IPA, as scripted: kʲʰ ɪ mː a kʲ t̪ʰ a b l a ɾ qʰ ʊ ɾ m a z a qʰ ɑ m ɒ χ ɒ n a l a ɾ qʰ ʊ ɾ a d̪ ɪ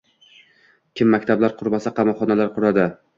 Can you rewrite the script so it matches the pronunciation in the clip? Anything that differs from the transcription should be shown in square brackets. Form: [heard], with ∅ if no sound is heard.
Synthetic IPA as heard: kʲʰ ɪ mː a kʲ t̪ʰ a b l a ɾ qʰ ʊ ɾ m a [s] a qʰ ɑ m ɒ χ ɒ n a l a ɾ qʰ ʊ ɾ a d̪ ɪ